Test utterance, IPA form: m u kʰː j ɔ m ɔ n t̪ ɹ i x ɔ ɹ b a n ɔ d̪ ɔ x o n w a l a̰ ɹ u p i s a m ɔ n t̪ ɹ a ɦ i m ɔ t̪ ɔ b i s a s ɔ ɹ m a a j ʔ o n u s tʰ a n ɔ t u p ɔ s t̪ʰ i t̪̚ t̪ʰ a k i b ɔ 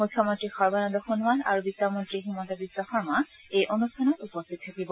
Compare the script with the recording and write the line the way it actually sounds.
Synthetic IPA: m u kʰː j ɔ m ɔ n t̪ ɹ i x ɔ ɹ b a n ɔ d̪ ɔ x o n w a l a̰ ɹ u b i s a m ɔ n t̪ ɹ i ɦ i m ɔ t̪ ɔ b i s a x ɔ ɹ m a e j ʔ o n u s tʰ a n ɔ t u p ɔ s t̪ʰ i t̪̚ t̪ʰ a k i b ɔ

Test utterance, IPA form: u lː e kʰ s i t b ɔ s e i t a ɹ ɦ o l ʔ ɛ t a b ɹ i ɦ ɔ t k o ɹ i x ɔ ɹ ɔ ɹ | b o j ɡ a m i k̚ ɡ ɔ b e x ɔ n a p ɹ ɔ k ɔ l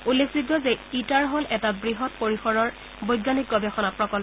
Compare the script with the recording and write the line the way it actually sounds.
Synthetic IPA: u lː e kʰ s i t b ɔ z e i t a ɹ ɦ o l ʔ ɛ t a b ɹ i ɦ ɔ t p o ɹ i x ɔ ɹ ɔ ɹ | b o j ɡ a n i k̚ ɡ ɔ b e x ɔ n a p ɹ ɔ k ɔ l

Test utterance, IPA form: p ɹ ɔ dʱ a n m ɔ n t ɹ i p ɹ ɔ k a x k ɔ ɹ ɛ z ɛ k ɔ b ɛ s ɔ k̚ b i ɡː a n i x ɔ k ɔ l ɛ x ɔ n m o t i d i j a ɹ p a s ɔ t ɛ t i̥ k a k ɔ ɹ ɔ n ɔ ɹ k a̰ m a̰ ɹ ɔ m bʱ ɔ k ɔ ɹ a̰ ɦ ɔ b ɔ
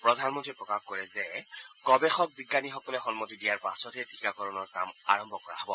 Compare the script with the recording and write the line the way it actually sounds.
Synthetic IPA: p ɹ ɔ dʱ a n m ɔ n t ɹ i p ɹ ɔ k a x k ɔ ɹ ɛ z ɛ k ɔ b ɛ x ɔ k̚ b i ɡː a n i x ɔ k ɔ l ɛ x ɔ n m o t i d i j a ɹ p a s ɔ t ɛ t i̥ k a k ɔ ɹ ɔ n ɔ ɹ k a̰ m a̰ ɹ ɔ m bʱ ɔ k ɔ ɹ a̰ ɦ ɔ b ɔ

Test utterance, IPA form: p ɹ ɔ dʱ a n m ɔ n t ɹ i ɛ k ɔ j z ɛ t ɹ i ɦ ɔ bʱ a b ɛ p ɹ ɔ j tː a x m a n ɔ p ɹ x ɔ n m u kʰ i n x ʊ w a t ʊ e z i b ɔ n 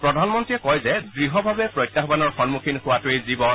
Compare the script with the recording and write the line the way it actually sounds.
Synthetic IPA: p ɹ ɔ dʱ a n m ɔ n t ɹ i ɛ k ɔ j z ɛ d ɹ i ɦ ɔ bʱ a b ɛ p ɹ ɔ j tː a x b a n ɔ ɹ x ɔ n m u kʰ i n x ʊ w a t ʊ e z i b ɔ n

